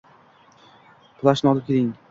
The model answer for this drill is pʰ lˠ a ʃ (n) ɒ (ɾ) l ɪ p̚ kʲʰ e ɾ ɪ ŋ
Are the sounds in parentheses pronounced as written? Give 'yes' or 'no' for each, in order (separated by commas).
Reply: yes, no